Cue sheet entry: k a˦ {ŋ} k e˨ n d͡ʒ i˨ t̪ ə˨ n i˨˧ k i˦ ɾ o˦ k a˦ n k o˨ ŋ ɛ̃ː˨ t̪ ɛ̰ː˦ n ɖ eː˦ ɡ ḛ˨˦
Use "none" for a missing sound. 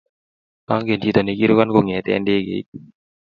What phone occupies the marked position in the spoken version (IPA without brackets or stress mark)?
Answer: ŋ